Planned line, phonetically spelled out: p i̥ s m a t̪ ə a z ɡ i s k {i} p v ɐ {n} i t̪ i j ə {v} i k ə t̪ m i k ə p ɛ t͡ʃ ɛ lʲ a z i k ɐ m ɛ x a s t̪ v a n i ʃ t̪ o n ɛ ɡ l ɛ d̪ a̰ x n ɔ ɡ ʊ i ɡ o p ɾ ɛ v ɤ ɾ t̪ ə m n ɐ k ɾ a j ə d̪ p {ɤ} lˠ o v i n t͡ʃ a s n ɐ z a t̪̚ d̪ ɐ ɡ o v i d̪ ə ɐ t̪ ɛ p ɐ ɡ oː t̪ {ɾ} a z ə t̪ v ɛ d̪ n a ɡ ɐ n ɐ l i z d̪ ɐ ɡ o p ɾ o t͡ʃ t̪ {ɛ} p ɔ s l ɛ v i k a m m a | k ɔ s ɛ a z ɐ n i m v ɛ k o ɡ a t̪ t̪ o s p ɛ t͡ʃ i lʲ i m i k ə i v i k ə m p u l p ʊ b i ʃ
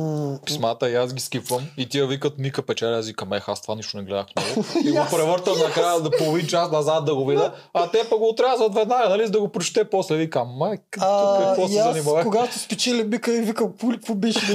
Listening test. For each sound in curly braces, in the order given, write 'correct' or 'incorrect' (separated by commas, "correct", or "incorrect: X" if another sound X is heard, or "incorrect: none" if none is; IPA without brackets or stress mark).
correct, incorrect: m, correct, incorrect: o, correct, correct